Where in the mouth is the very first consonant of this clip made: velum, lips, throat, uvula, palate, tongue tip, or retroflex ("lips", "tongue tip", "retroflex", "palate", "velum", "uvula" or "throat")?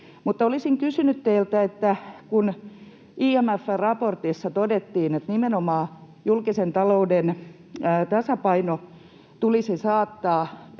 lips